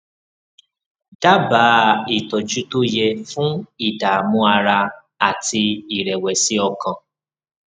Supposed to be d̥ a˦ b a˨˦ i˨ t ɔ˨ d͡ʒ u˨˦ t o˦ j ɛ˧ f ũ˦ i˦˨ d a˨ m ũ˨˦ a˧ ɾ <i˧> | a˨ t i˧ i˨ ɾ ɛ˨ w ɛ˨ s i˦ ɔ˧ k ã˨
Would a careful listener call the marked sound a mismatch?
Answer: yes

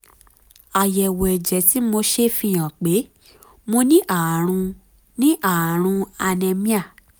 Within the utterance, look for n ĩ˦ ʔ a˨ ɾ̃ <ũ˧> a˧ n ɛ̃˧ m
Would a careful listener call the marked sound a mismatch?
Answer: no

